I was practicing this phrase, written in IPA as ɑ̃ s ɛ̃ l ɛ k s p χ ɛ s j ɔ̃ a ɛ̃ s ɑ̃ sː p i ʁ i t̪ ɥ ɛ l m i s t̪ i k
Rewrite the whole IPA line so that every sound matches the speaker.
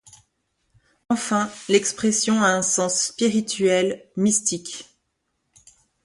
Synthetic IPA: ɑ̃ f ɛ̃ l ɛ k s p χ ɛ s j ɔ̃ a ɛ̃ s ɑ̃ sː p i ʁ i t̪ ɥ ɛ l m i s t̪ i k